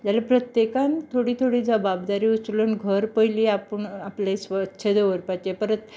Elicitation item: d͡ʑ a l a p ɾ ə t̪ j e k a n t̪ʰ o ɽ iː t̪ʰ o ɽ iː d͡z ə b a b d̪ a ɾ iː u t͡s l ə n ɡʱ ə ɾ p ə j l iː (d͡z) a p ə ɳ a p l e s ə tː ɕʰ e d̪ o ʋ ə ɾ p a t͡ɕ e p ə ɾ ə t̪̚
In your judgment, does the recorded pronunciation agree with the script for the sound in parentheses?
no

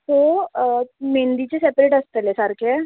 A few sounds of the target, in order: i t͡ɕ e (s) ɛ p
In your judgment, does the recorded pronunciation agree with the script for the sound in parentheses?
yes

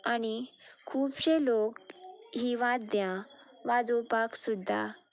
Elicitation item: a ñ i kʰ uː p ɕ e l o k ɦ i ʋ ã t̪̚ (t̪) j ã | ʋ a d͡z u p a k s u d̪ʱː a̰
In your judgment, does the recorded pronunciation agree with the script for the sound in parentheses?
no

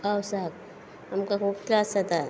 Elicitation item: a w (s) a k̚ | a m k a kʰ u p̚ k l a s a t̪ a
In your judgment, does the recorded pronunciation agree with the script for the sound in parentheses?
yes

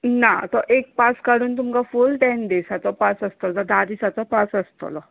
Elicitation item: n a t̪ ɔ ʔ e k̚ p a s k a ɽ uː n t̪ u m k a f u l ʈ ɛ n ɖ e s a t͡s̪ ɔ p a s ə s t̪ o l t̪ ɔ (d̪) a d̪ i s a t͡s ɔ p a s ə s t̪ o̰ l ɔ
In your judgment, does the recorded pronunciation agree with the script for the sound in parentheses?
yes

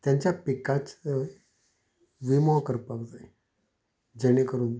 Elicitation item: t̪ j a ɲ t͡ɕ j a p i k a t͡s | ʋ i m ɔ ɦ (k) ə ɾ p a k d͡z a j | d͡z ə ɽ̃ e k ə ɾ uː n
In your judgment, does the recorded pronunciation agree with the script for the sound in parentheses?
yes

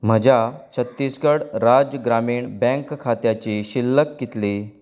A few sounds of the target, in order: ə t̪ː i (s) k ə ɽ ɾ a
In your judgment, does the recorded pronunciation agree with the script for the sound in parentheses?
yes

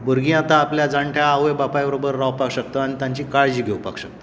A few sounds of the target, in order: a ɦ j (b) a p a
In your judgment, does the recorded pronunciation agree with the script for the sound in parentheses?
yes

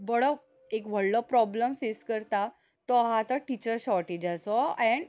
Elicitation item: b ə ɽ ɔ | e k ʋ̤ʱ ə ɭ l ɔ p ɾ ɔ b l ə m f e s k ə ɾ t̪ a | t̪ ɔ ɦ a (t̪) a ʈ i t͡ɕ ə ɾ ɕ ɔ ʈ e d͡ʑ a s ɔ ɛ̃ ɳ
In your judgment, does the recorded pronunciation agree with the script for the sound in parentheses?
yes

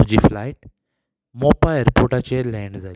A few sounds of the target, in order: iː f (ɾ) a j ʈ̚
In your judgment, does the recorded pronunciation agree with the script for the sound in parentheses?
no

